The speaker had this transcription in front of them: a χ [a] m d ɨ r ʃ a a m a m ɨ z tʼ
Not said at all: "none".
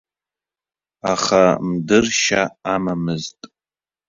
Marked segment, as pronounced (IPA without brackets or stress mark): a